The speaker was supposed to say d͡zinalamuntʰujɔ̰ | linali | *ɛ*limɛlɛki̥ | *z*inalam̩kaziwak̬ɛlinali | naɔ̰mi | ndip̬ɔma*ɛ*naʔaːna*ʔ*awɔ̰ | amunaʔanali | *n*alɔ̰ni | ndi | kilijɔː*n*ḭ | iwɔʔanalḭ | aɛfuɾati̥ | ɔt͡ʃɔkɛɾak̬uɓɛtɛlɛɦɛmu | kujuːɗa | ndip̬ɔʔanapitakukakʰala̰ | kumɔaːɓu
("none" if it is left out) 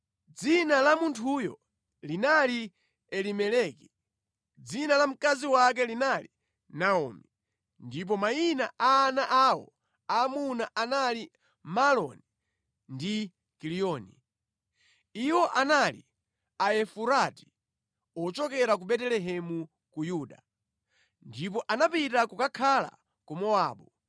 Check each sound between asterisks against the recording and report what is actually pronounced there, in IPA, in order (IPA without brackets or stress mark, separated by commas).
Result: ɛ, d͡z, i, ʔ, m, n